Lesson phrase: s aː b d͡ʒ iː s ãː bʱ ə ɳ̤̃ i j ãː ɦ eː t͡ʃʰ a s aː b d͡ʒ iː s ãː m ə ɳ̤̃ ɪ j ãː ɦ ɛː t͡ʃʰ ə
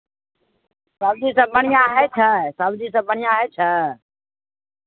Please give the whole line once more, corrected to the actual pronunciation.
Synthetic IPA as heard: s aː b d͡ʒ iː s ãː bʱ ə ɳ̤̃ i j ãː ɦ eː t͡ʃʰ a s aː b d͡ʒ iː s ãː b ə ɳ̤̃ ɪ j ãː ɦ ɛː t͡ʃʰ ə

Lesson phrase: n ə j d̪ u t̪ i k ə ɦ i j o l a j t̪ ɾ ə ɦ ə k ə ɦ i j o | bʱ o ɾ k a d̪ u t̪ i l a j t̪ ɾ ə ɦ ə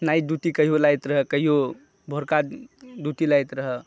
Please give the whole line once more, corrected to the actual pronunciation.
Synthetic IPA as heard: n a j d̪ u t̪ i k ə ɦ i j o l a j t̪ ɾ ə ɦ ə k ə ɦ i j o | bʱ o ɾ k a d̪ u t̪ i l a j t̪ ɾ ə ɦ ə

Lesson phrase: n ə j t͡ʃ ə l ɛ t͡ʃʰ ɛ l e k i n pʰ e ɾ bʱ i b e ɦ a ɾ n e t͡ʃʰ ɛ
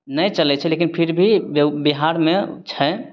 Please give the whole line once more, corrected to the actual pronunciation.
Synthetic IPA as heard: n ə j t͡ʃ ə l ɛ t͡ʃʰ ɛ l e k i n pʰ i ɾ bʱ i b i ɦ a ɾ m e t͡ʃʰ ɛ

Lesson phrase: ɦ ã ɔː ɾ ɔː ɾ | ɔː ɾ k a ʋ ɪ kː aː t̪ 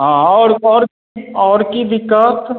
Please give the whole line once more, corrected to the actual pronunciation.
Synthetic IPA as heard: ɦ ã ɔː ɾ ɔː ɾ | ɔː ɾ k i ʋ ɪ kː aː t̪

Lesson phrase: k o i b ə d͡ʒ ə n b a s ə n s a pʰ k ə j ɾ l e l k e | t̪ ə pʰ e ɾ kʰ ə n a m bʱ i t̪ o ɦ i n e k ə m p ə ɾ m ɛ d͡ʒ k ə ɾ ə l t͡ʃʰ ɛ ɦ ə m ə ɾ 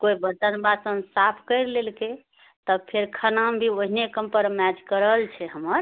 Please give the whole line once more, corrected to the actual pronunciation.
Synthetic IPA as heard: k o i b ə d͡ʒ ə n b a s ə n s a pʰ k ə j ɾ l e l k e | t̪ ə pʰ e ɾ kʰ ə n a m bʱ i o ɦ i n e k ə m p ə ɾ m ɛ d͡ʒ k ə ɾ ə l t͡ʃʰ ɛ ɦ ə m ə ɾ

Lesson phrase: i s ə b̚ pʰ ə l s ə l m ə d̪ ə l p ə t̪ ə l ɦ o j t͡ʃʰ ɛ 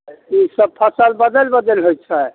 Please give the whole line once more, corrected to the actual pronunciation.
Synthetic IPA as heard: i s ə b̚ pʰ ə s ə l b ə d̪ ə l b ə d̪ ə l ɦ o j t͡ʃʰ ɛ

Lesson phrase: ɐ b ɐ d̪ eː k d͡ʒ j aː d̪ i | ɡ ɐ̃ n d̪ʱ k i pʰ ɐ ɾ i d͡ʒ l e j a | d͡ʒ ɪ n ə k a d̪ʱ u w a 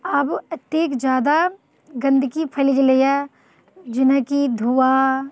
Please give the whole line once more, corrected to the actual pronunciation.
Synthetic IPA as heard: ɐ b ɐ t̪ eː k d͡ʒ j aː d̪ a | ɡ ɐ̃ n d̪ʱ k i pʰ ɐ l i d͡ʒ l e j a | d͡ʒ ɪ n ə k i d̪ʱ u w a

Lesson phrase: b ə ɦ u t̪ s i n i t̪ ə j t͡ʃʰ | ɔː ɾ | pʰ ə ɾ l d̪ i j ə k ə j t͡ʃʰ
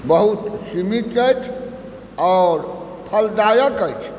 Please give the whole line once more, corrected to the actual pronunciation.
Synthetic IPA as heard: b ə ɦ u t̪ s i m i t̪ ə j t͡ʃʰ | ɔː ɾ | pʰ ə l d̪ a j ə k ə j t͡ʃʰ

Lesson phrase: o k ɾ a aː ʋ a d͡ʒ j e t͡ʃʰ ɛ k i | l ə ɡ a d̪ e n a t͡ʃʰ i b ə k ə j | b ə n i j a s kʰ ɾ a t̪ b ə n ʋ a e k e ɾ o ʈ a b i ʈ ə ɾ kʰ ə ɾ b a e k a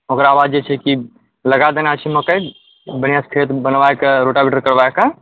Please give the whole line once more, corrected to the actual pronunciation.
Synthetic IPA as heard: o k ɾ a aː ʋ a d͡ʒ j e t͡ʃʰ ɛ k i | l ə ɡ a d̪ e n a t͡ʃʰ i m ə k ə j | b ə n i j a s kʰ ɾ e t̪ b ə n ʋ a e k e ɾ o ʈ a b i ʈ ə ɾ k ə ɾ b a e k a

